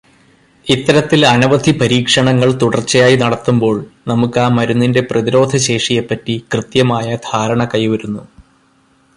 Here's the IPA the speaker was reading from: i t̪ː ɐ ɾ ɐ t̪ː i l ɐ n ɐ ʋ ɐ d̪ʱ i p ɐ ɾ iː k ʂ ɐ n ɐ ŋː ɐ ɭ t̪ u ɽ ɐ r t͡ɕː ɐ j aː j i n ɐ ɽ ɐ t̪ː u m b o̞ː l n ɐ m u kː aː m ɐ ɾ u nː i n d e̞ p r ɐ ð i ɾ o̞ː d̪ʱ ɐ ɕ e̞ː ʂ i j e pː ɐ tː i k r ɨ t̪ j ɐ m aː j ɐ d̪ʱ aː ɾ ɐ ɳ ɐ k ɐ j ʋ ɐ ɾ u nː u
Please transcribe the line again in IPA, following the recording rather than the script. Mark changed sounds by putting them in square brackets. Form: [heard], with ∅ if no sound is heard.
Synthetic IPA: i t̪ː ɐ ɾ ɐ t̪ː i l ɐ n ɐ ʋ ɐ d̪ʱ i p ɐ ɾ iː k ʂ ɐ [ɳ] ɐ ŋː ɐ ɭ t̪ u ɽ ɐ r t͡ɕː ɐ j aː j i n ɐ ɽ ɐ t̪ː u m b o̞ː [ɭ] n ɐ m u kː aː m ɐ ɾ u nː i n d e̞ p r ɐ ð i ɾ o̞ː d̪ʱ ɐ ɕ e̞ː ʂ i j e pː ɐ tː i k r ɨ t̪ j ɐ m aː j ɐ d̪ʱ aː ɾ ɐ ɳ ɐ k ɐ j ʋ ɐ ɾ u nː u